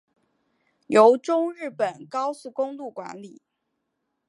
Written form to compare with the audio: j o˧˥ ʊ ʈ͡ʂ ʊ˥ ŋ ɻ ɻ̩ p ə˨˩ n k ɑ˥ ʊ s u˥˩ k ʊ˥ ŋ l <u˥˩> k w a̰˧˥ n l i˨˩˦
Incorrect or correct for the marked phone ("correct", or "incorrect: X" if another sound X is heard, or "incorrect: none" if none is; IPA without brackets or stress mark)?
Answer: correct